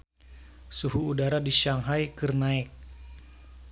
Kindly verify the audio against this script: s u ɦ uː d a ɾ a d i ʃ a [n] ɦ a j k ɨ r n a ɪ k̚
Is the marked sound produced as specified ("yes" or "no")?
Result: no